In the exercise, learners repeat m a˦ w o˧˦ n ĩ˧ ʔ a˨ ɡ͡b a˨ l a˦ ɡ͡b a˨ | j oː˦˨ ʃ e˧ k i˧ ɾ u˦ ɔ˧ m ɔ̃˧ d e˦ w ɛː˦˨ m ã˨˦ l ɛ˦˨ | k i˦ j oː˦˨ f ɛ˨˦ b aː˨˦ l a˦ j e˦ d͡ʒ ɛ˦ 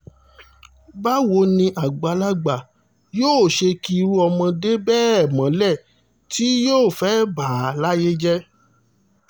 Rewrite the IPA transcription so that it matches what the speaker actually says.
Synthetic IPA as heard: b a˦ w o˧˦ n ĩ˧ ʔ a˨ ɡ͡b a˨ l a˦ ɡ͡b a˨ | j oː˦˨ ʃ e˧ k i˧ ɾ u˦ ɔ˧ m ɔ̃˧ d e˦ b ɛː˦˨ m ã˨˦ l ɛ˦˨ | t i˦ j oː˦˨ f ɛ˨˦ b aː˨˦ l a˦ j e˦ d͡ʒ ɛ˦